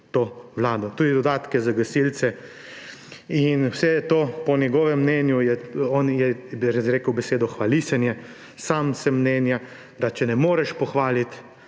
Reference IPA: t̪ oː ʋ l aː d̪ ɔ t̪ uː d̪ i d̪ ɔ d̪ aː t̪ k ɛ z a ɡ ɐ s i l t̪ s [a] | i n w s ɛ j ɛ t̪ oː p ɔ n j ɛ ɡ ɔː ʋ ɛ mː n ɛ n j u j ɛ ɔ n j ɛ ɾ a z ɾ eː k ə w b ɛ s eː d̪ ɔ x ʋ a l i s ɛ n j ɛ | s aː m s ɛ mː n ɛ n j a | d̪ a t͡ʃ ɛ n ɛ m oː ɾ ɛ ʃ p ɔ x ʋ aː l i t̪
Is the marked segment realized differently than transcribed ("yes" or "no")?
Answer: yes